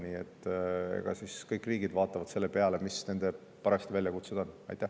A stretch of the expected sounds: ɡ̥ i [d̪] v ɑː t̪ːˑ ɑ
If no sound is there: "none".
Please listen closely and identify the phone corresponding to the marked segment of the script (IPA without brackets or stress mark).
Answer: d̪